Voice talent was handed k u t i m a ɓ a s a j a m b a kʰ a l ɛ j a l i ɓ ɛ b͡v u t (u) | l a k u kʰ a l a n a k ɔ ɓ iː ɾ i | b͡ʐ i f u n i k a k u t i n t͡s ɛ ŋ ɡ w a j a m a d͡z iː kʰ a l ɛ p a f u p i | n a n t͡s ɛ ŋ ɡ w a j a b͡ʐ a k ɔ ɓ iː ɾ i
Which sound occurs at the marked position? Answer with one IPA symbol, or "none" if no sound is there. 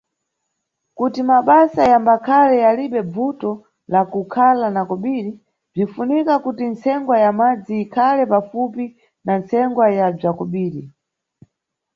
ɔ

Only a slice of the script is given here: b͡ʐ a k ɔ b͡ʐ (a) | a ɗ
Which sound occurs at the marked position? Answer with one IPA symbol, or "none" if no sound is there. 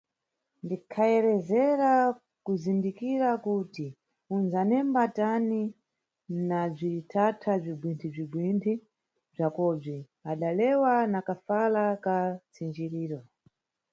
i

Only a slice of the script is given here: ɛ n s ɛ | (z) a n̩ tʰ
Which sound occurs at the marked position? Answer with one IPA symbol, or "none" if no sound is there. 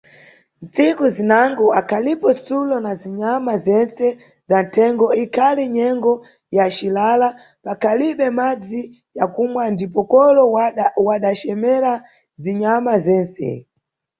z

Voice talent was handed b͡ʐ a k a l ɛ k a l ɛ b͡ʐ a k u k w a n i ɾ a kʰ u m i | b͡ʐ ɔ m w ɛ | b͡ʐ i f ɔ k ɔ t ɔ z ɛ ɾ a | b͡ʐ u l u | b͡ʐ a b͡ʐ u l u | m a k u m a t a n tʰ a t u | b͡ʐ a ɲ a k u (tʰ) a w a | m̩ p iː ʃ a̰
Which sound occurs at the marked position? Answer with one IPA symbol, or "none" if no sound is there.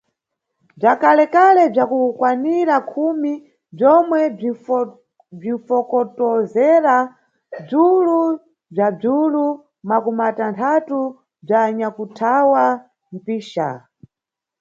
tʰ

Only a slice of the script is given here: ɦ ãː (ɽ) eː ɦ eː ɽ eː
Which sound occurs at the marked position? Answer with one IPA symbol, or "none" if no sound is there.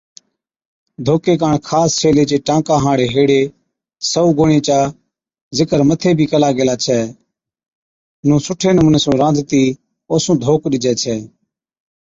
ɽ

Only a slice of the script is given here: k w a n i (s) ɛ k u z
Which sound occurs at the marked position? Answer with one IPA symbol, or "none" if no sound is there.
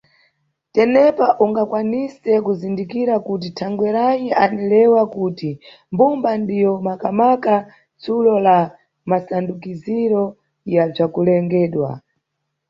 s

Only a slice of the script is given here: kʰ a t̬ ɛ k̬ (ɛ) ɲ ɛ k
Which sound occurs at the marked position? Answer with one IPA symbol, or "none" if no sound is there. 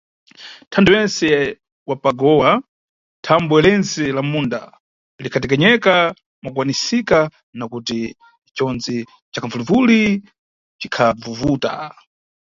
ɛ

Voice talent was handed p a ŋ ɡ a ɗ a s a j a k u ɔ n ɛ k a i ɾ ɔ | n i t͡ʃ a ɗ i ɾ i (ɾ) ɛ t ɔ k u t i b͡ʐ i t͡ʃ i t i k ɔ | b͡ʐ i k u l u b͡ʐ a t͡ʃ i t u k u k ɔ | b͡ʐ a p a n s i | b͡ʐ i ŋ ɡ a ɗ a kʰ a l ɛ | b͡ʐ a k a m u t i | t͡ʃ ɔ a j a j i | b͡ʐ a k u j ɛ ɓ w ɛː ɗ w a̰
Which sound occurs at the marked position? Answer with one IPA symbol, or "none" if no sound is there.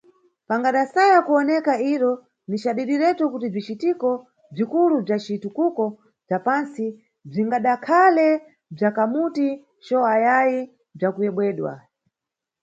ɾ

